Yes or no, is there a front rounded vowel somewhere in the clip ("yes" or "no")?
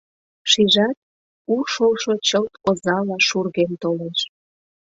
no